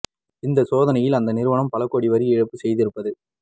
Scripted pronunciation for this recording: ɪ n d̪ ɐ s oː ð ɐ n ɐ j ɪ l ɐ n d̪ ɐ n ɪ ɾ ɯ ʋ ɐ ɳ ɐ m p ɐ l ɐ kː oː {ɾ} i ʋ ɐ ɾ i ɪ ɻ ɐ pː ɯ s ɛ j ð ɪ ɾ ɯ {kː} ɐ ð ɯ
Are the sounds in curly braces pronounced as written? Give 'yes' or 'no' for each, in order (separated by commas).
no, no